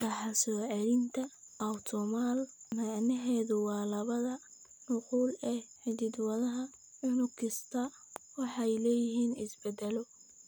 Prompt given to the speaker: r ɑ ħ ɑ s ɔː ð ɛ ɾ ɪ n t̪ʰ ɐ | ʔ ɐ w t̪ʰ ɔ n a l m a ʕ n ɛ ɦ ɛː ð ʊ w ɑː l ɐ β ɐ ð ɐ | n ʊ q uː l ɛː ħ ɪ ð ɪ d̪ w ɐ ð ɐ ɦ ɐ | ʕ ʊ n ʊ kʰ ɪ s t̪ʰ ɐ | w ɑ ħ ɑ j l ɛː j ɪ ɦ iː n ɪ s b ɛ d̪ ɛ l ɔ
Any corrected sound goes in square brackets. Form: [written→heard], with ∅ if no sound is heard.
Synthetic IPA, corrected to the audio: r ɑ ħ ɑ s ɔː [ð→ʕ] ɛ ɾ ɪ n t̪ʰ ɐ | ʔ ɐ w t̪ʰ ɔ [n→m] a l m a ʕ n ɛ ɦ ɛː ð ʊ w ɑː l ɐ β ɐ ð ɐ | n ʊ q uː l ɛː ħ ɪ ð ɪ d̪ w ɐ ð ɐ ɦ ɐ | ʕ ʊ n ʊ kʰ ɪ s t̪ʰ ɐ | w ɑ ħ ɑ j l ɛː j ɪ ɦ iː n ɪ s b ɛ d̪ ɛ l ɔ